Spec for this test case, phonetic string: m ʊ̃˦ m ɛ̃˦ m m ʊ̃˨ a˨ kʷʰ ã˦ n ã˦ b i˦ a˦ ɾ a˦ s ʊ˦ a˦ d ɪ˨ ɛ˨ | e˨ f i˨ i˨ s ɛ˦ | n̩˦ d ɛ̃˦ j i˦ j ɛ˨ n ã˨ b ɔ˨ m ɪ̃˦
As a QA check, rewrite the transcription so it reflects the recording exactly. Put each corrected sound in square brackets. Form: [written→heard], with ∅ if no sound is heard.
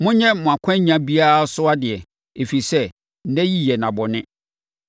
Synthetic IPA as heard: m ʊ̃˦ [m→ɲ] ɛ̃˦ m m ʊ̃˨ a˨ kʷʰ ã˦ [n→ɲ] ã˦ b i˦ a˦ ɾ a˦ s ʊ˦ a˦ d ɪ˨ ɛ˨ | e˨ f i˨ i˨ s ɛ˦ | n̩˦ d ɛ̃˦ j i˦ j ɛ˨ n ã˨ b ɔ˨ [m→n] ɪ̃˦